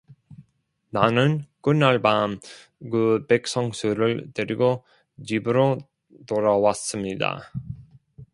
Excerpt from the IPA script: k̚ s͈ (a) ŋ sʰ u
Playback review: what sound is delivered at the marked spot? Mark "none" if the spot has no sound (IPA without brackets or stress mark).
ʌ